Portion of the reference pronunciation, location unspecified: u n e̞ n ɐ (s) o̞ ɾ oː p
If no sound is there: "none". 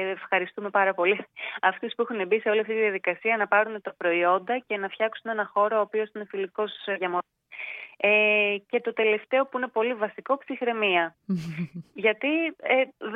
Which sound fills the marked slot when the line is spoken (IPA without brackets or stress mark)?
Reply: x